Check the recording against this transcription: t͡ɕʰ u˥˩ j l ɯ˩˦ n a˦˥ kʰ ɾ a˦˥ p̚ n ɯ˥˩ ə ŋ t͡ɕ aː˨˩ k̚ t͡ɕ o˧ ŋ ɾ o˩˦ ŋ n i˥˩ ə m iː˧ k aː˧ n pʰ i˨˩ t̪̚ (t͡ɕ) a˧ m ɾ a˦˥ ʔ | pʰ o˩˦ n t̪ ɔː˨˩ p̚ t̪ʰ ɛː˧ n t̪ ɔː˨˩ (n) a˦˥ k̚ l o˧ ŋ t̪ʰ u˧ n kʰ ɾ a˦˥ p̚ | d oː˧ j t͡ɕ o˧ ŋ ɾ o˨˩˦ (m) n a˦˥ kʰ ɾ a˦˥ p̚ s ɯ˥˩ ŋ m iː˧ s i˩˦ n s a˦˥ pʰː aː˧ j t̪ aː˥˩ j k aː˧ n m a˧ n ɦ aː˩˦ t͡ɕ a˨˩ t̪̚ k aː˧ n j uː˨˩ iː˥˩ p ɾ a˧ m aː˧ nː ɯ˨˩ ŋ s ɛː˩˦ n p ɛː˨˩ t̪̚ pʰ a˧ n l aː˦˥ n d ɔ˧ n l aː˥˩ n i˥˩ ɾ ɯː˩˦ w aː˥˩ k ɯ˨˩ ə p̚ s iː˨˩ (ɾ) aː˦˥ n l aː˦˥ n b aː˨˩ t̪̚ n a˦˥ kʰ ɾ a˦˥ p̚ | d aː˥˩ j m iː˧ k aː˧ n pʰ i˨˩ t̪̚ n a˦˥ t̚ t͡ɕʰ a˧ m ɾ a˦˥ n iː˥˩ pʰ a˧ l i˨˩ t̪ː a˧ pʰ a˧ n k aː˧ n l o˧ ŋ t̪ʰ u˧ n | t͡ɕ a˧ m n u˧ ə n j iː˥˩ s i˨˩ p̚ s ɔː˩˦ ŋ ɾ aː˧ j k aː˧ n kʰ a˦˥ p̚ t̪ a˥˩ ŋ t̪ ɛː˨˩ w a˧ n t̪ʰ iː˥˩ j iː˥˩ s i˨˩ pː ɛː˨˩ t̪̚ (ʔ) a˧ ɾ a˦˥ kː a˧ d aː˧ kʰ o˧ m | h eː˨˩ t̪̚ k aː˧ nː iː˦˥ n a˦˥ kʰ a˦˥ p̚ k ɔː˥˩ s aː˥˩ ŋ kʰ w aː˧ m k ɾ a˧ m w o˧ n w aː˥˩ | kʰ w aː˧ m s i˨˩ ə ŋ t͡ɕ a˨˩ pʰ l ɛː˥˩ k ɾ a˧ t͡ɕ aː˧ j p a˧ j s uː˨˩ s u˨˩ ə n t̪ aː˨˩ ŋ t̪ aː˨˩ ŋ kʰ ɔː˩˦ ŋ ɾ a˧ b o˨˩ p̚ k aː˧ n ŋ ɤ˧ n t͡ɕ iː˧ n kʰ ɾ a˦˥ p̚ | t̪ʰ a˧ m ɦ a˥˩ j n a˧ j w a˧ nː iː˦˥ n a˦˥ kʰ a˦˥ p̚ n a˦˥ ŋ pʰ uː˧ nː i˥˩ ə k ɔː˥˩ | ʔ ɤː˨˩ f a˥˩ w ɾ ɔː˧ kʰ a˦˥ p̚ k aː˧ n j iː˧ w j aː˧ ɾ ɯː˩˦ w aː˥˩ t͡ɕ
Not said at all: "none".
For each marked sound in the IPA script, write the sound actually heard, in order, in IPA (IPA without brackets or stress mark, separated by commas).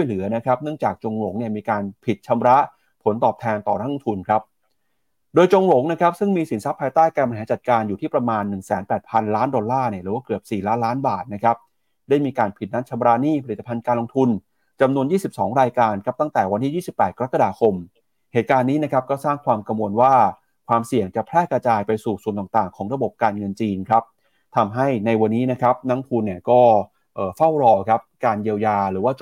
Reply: t͡ɕʰ, n, ŋ, l, k